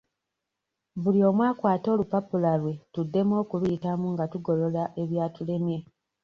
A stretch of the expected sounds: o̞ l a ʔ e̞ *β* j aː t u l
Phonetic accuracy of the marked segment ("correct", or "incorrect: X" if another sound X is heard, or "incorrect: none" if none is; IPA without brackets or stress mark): correct